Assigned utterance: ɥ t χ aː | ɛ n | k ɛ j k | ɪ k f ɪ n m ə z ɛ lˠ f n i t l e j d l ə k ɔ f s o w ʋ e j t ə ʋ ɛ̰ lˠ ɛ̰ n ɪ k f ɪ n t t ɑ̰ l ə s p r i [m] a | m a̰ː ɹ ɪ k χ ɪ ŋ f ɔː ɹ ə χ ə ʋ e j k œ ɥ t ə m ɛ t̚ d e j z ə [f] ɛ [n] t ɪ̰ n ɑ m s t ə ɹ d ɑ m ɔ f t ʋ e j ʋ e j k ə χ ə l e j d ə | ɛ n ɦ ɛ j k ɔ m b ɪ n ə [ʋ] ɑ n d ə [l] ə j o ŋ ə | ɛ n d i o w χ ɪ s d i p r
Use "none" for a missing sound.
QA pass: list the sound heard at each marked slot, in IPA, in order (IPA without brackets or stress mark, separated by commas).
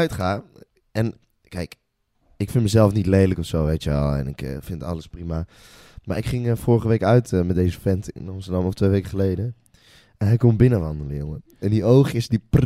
m, f, n, ʋ, l